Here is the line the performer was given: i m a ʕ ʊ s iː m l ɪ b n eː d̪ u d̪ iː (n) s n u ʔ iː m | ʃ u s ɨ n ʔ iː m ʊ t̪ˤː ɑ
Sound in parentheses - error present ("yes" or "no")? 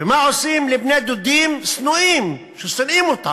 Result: yes